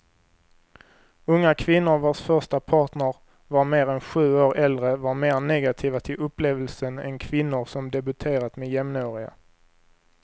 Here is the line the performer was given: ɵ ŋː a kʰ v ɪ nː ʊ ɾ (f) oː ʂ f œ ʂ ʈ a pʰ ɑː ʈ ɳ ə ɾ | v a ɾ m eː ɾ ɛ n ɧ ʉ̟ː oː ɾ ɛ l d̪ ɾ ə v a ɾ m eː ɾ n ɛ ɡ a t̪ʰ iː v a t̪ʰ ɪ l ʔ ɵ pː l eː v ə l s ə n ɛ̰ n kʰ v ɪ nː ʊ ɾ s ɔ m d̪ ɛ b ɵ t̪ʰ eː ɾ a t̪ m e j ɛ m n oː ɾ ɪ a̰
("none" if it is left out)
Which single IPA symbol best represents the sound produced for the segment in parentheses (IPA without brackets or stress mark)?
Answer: v